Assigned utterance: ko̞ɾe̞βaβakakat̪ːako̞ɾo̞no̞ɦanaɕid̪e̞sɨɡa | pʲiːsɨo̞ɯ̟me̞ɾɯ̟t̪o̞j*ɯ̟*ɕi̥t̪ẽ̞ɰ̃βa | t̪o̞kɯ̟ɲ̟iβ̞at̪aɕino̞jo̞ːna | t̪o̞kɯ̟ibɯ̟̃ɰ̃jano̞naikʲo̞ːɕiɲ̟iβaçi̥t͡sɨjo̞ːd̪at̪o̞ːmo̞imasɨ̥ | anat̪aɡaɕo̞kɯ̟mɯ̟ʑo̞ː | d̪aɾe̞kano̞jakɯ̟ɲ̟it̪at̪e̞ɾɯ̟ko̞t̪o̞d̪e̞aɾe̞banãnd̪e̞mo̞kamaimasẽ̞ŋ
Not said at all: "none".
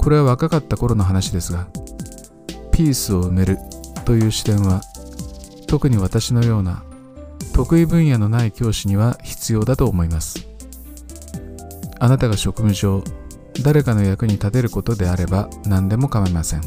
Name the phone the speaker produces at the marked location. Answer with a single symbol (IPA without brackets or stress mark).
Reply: ɯ̟ː